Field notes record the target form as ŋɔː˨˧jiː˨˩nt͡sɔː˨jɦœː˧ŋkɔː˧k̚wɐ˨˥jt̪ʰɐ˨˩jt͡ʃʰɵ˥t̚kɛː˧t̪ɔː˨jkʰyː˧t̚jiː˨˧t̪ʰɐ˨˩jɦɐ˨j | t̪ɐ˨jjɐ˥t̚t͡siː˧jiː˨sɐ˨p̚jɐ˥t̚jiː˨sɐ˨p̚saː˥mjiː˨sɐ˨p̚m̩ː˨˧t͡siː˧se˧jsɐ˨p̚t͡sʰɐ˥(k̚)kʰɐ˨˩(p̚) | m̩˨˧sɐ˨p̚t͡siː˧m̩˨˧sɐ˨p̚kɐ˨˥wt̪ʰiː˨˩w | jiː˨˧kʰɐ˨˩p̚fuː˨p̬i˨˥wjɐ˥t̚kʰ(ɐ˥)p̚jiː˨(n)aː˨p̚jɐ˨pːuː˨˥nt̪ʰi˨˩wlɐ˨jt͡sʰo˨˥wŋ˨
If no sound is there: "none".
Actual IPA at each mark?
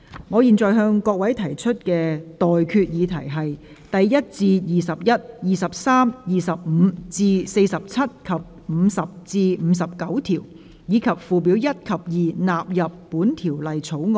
t̚, p̚, ɐ˨, n

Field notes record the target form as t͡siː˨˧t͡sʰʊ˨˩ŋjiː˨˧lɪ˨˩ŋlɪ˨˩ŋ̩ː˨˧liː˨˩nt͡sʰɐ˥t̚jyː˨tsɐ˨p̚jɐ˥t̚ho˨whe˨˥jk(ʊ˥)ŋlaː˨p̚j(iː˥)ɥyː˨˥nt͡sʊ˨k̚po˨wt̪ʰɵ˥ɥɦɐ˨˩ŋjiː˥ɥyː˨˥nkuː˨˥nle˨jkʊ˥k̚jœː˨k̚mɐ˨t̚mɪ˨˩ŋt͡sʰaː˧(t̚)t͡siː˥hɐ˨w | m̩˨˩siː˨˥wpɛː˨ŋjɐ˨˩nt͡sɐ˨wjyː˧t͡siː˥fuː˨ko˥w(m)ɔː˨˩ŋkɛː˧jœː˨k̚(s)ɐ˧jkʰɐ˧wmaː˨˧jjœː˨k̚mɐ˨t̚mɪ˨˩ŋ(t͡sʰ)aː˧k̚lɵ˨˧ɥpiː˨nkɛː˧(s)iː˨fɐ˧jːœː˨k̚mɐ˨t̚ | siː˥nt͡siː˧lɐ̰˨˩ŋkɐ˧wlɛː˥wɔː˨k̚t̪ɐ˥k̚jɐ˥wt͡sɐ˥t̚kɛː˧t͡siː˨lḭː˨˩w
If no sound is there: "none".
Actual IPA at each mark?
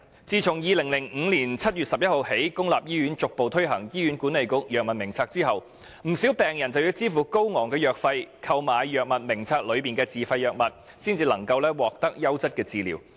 ʊ˥, iː˥, k̚, ŋ, f, t͡sʰ, t͡s

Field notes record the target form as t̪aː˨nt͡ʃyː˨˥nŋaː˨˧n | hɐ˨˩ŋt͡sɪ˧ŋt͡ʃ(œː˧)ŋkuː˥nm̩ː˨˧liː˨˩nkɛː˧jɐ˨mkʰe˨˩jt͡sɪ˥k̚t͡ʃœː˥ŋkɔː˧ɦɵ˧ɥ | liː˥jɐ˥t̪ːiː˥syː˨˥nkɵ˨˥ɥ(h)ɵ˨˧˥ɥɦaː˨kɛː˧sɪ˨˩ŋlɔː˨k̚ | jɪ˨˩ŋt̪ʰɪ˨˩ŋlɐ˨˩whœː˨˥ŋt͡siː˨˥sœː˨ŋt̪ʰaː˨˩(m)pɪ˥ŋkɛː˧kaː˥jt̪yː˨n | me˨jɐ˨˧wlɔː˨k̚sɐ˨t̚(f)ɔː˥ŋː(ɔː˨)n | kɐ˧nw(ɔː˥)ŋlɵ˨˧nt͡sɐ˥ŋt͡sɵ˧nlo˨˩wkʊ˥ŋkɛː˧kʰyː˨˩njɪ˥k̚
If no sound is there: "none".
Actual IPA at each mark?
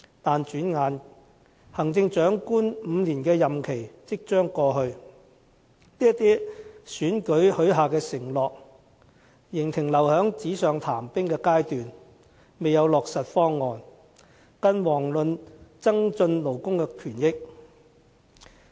œː˨˥, h, m, f, ɔː˨, ɔː˨˩

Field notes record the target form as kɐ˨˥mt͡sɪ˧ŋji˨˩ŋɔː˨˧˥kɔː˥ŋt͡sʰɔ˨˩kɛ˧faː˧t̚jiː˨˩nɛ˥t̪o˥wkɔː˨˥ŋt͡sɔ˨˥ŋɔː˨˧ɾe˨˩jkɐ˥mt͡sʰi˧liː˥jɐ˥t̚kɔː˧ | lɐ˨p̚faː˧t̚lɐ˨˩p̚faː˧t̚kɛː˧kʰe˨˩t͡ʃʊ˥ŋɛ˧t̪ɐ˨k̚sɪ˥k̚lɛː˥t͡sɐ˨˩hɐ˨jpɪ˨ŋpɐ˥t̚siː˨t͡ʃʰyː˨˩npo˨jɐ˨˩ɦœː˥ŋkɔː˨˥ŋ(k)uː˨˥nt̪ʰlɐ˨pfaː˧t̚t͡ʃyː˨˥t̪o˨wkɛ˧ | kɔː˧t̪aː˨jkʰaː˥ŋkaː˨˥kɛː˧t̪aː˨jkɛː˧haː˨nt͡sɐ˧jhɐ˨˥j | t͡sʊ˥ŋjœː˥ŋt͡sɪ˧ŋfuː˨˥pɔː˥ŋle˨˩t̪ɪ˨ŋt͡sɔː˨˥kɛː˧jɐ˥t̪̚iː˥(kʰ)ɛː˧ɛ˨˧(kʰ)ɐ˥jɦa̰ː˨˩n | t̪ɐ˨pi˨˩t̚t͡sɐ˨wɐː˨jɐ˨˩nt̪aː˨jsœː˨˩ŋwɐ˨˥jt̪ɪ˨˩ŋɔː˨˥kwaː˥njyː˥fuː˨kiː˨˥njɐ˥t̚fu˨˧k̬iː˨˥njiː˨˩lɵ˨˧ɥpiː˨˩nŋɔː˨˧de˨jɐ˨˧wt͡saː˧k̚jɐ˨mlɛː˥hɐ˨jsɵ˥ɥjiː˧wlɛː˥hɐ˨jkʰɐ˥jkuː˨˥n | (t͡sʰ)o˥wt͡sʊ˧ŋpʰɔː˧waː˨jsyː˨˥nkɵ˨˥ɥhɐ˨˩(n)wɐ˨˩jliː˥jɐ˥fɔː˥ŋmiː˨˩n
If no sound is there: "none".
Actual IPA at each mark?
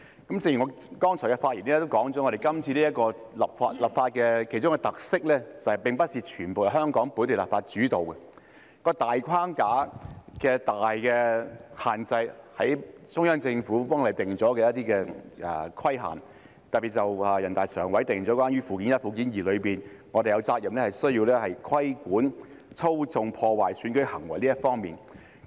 p, k, kʰ, t͡sʰ, ŋ

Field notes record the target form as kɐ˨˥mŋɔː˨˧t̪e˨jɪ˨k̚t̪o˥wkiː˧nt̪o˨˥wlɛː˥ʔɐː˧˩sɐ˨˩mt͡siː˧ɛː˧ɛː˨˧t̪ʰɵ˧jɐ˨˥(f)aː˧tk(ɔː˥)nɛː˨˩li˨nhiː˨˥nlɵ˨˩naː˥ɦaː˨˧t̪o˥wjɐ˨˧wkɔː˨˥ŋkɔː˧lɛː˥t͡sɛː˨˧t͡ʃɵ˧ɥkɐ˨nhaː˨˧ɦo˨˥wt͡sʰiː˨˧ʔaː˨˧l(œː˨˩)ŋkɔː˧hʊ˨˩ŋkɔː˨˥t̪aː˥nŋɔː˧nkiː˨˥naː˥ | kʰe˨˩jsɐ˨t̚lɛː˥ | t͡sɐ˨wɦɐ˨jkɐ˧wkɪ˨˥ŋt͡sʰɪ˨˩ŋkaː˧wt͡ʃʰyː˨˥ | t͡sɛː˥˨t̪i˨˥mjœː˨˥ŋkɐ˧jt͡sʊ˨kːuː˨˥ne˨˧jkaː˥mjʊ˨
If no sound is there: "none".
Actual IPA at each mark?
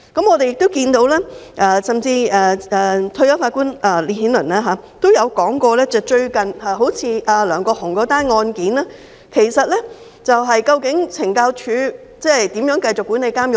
f, uː˥, œː˨˩

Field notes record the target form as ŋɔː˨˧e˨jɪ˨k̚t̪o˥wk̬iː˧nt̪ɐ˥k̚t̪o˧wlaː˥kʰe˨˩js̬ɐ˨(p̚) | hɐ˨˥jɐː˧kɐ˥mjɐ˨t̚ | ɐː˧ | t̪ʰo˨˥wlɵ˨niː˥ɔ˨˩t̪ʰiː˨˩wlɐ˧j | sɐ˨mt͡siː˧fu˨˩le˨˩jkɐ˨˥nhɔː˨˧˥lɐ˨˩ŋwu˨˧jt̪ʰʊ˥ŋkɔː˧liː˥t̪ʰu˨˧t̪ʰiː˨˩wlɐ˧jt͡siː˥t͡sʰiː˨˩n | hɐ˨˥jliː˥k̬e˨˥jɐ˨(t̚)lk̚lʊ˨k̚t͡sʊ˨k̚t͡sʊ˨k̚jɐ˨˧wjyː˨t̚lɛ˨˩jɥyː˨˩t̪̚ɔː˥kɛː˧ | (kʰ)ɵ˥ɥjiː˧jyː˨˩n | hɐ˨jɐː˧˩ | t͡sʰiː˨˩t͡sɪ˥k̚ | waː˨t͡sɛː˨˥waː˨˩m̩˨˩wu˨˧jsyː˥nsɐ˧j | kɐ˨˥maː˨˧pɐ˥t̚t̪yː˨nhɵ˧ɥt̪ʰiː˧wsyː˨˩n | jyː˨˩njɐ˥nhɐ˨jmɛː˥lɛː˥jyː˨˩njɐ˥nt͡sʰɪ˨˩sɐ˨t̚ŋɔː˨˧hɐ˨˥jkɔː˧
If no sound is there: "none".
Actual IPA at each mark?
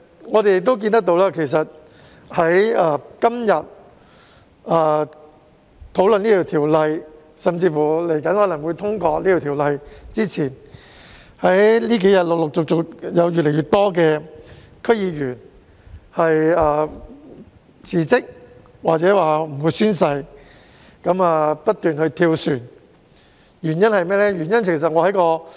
t̚, t̚, kʰ

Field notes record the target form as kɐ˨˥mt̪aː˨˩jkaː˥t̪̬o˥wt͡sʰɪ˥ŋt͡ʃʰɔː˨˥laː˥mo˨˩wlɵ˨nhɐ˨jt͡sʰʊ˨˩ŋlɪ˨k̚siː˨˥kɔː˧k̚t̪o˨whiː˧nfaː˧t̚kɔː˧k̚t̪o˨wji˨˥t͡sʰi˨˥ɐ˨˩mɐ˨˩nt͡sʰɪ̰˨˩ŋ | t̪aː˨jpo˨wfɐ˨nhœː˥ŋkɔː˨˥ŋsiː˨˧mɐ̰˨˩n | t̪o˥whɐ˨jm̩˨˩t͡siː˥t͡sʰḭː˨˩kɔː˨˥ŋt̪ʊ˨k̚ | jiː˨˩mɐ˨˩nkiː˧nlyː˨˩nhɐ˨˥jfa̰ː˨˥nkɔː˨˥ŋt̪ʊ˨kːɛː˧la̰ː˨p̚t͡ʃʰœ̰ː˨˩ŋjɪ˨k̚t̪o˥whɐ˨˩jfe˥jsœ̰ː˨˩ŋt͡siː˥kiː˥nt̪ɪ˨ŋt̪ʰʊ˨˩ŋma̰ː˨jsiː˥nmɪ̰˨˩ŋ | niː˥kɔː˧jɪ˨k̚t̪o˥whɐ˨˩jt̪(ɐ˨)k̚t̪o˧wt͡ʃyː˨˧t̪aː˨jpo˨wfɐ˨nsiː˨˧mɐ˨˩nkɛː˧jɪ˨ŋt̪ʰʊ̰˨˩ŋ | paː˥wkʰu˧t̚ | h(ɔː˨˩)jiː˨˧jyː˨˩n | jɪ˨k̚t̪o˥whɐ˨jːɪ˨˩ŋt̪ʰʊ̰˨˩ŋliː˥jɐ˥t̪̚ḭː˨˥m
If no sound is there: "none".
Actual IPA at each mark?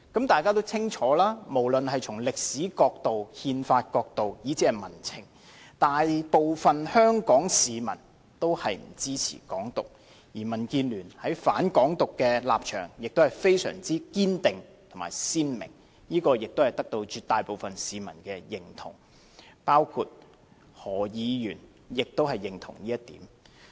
ɐ˥, ɔː˨˩

